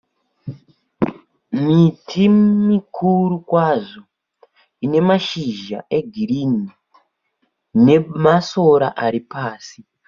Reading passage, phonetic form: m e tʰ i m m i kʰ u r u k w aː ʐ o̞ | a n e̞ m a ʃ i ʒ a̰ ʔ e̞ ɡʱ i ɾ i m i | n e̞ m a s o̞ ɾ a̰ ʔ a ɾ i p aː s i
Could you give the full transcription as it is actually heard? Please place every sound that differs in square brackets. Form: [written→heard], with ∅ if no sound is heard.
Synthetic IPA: m [e→i] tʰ i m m i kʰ u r u k w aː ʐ o̞ | [a→i] n e̞ m a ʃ i ʒ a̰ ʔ e̞ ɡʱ i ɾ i [m→n] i | n e̞ m a s o̞ ɾ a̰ ʔ a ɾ i p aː s i

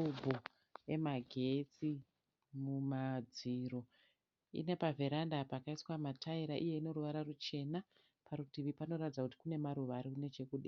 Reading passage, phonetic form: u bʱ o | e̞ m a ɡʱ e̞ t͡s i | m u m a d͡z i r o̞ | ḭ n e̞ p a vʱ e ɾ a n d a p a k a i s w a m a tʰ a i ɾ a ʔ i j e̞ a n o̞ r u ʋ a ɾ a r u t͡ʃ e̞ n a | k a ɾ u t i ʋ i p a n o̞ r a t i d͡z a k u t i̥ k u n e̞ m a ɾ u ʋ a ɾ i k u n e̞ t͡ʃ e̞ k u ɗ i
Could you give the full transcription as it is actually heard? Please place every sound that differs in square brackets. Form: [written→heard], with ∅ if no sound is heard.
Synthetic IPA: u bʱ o | e̞ m a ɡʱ e̞ t͡s i | m u m a d͡z i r o̞ | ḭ n e̞ p a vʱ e ɾ a n d a p a k a i s w a m a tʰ a i ɾ a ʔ i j e̞ [a→i] n o̞ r u ʋ a ɾ a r u t͡ʃ e̞ n a | [k→p] a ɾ u t i ʋ i p a n o̞ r a t i d͡z a k u t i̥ k u n e̞ m a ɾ u ʋ a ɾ i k u n e̞ t͡ʃ e̞ k u ɗ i

